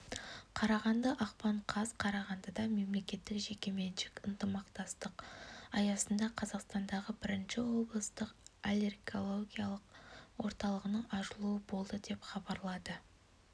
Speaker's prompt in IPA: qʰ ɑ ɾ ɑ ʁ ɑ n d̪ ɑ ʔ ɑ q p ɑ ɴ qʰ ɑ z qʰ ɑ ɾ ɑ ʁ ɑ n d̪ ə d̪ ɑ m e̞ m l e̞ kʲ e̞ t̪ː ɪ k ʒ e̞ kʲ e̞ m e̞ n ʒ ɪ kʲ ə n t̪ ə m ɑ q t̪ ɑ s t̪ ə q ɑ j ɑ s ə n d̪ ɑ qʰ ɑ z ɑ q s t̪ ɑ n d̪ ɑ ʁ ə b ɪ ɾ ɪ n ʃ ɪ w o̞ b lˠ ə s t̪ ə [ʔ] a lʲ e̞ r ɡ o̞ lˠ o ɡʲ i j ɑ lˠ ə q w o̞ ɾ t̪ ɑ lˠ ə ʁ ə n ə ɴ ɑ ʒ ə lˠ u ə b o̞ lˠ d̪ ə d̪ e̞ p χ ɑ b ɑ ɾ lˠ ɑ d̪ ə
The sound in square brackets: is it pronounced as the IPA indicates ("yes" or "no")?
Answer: no